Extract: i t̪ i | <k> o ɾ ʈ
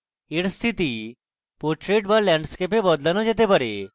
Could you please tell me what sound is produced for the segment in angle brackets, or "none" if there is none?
p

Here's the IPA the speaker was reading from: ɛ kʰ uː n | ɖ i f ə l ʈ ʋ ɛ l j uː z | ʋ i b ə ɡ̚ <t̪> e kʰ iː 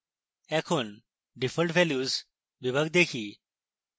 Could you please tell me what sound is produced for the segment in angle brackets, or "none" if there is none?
d̪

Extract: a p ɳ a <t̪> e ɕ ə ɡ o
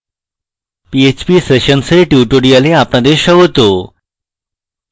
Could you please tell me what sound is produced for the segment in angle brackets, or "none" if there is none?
d̪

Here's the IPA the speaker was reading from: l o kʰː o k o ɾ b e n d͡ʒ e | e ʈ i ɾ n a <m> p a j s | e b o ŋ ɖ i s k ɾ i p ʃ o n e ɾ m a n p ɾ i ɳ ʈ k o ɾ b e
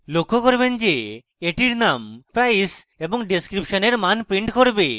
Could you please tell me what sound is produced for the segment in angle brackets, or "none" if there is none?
m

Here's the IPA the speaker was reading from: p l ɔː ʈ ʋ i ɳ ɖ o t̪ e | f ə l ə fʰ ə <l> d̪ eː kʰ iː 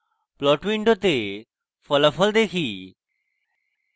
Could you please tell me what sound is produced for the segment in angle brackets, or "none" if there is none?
l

